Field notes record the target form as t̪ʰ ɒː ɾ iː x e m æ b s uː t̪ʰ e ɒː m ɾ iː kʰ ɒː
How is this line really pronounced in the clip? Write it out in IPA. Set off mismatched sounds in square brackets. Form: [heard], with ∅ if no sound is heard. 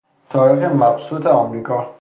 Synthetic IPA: t̪ʰ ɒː ɾ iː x e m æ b s uː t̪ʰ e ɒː m ɾ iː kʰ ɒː